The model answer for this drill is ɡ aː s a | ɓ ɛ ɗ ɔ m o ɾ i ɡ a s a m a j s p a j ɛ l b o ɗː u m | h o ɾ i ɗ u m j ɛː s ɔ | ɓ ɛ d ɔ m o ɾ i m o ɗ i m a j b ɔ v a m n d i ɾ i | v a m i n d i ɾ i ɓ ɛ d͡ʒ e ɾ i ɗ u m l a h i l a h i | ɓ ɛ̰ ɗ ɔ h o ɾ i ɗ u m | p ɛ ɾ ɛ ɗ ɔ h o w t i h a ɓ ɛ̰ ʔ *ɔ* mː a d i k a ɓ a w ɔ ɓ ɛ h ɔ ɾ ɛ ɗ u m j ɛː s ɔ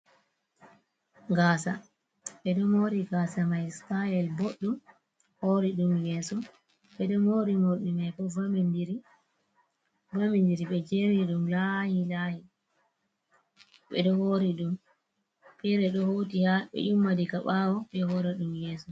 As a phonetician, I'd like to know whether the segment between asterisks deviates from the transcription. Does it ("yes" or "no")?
yes